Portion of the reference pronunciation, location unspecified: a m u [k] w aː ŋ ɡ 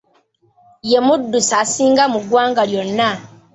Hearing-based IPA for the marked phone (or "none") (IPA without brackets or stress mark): ɡ